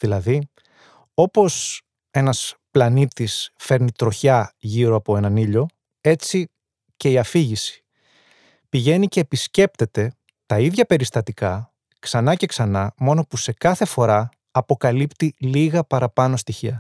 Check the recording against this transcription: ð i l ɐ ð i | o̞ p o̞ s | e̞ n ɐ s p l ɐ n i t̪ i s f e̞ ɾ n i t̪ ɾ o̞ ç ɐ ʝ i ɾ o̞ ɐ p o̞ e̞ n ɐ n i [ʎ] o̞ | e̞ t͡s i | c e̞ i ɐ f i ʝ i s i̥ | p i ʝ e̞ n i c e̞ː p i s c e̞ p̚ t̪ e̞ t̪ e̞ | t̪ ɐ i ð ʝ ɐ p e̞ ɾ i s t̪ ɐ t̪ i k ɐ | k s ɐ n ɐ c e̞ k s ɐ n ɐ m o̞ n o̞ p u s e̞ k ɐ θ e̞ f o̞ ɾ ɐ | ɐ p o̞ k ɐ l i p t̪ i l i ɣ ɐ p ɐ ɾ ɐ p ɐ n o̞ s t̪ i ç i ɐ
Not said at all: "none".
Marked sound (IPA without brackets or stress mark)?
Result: ʎ